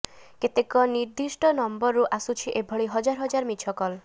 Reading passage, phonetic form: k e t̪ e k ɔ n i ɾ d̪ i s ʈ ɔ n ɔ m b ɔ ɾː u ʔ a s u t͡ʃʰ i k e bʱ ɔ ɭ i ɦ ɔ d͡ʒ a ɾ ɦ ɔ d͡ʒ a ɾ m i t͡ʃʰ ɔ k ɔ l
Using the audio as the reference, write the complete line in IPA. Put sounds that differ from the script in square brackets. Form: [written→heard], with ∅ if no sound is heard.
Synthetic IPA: k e t̪ e k ɔ n i ɾ d̪ i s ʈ ɔ n ɔ m b ɔ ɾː u ʔ a s u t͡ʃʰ i [k→ʔ] e bʱ ɔ ɭ i ɦ ɔ d͡ʒ a ɾ ɦ ɔ d͡ʒ a ɾ m i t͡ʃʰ ɔ k ɔ l